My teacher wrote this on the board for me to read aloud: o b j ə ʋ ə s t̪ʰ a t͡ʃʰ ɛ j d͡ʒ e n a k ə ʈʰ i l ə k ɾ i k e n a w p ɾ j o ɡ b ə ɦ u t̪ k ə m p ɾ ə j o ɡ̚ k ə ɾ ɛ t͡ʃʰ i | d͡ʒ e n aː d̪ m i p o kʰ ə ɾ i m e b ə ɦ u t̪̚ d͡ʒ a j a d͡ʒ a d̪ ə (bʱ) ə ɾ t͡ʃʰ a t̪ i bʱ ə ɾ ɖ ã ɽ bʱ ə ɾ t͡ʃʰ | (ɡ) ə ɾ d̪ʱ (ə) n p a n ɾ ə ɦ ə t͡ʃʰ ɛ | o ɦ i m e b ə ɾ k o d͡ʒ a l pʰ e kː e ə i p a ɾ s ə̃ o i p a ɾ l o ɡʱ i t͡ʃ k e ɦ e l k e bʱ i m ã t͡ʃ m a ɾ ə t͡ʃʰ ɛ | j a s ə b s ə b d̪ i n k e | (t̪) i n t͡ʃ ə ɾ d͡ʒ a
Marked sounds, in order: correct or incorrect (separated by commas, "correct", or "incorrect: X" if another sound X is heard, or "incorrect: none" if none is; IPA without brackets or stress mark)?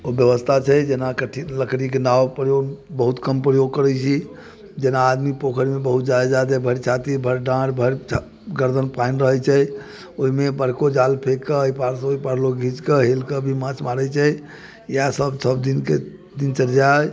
correct, correct, correct, incorrect: d̪